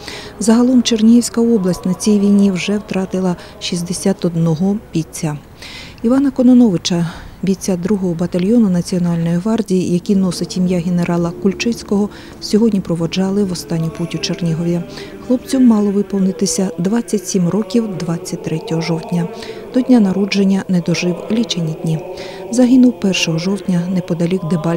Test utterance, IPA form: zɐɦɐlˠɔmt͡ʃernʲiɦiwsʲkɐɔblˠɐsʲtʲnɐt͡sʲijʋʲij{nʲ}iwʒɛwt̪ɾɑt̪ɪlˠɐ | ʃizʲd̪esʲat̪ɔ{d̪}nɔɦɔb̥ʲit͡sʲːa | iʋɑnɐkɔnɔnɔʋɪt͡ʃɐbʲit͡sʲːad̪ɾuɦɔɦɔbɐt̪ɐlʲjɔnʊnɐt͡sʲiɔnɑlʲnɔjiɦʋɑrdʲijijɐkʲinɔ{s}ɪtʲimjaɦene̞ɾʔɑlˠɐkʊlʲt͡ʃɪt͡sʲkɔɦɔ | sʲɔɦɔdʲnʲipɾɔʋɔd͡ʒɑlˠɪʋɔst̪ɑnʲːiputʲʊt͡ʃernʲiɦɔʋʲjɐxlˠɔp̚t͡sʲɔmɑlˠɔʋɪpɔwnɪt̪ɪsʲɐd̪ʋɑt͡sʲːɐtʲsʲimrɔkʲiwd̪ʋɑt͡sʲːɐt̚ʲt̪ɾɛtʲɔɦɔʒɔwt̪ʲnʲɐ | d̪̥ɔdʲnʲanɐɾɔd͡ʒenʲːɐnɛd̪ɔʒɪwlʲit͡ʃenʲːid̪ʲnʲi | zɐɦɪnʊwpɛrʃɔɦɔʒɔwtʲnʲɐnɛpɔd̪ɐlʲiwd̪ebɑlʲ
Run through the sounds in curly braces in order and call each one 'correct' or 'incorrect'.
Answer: correct, correct, correct

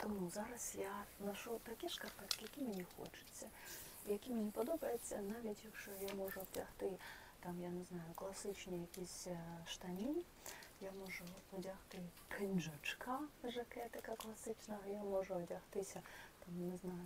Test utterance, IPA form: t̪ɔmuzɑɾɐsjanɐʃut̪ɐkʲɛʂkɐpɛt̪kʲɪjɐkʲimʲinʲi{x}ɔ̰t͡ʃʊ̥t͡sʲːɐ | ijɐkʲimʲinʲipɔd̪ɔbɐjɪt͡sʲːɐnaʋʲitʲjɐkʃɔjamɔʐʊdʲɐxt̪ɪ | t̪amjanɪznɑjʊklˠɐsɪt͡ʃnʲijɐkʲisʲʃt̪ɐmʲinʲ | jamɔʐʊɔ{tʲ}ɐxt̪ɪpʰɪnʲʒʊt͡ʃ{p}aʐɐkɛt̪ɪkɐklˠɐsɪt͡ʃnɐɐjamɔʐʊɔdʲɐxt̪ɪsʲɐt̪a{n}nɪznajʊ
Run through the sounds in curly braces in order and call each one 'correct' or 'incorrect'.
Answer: correct, incorrect, incorrect, incorrect

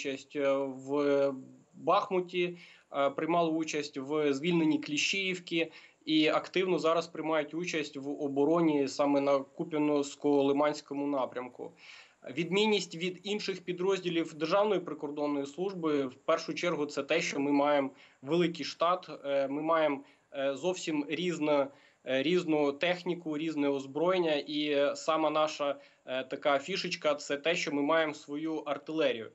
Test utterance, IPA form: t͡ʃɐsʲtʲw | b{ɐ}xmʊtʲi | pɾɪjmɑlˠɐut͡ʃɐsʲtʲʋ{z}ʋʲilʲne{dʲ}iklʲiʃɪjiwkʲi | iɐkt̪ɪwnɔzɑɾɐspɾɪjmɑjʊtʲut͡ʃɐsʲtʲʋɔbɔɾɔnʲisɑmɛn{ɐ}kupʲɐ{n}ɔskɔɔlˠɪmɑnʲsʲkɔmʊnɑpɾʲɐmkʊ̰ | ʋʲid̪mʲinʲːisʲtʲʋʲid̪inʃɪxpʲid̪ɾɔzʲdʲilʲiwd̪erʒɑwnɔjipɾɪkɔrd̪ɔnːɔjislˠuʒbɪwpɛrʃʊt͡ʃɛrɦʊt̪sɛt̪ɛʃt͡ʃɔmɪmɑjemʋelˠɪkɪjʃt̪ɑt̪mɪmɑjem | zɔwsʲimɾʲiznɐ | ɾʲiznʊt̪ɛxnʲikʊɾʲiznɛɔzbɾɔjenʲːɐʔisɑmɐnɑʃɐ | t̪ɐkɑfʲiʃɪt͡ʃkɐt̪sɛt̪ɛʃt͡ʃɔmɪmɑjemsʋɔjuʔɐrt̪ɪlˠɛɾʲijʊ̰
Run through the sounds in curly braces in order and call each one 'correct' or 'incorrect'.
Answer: incorrect, correct, incorrect, correct, correct

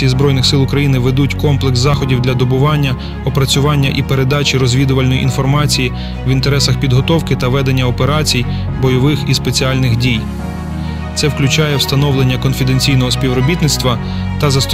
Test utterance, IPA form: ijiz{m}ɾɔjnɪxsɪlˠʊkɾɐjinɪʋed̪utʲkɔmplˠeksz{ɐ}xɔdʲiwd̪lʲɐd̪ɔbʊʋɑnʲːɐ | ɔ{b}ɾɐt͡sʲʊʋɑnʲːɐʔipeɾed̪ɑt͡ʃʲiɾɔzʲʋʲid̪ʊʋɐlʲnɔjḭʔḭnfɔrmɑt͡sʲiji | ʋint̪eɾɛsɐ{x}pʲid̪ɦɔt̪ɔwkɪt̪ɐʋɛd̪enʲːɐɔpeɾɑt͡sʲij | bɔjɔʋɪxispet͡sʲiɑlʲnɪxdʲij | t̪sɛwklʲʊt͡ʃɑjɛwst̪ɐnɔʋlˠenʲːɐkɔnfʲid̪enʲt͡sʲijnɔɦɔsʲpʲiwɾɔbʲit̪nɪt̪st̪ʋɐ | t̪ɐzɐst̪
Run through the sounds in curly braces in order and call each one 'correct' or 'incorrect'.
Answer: incorrect, incorrect, incorrect, correct

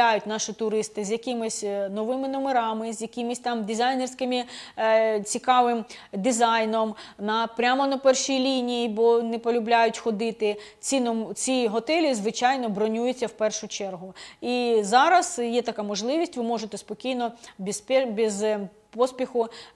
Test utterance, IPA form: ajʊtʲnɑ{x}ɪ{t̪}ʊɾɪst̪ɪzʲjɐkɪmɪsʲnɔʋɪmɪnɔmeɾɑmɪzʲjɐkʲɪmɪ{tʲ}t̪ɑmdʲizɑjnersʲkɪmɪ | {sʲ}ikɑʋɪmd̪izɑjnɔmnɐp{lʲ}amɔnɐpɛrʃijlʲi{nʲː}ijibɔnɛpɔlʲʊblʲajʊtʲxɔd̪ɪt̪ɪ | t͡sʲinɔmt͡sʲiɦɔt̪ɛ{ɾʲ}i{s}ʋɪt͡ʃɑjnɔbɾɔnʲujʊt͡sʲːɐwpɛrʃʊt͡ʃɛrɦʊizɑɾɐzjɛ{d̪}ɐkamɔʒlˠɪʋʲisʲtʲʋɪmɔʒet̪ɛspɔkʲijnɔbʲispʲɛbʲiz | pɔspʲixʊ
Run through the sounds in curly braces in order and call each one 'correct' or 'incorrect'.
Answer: incorrect, correct, incorrect, incorrect, incorrect, incorrect, incorrect, incorrect, incorrect

